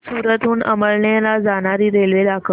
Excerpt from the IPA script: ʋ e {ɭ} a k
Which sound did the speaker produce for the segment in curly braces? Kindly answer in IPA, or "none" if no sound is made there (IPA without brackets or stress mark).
l